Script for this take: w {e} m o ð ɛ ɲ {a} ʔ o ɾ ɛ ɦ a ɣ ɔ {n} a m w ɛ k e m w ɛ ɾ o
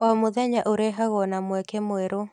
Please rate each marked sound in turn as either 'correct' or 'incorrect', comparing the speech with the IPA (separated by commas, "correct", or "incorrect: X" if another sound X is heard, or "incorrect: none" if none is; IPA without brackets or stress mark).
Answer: incorrect: a, correct, correct